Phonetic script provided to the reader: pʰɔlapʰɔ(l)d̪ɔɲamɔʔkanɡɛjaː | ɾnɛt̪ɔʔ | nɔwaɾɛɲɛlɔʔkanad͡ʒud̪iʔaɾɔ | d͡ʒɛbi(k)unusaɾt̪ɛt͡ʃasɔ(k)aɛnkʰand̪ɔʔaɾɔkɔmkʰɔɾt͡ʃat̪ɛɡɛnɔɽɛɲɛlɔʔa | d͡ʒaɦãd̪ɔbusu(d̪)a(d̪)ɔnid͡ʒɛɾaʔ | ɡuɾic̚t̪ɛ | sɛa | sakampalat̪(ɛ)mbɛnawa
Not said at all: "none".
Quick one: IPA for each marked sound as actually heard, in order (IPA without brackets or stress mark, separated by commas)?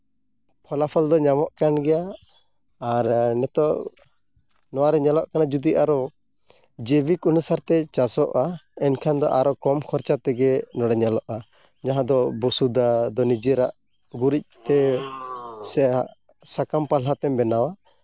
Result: l, k, ʔ, d̪, d̪, ɛ